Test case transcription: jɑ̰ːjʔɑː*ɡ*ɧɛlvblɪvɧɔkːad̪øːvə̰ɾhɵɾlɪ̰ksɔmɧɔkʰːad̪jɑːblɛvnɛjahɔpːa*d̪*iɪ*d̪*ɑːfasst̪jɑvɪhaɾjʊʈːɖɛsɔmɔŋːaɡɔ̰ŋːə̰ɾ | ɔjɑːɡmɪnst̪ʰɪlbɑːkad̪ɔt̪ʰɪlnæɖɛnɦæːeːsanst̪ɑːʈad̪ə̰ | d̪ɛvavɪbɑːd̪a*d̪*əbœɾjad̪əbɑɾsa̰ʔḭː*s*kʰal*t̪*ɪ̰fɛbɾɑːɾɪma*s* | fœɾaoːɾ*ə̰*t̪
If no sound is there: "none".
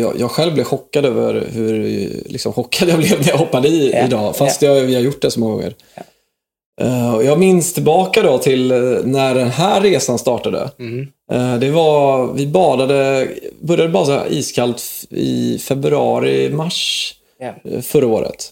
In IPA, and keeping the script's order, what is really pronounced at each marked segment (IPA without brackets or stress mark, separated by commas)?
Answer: ɡ, d̪, d̪, d̪, s, t̪, ʂ, ə̰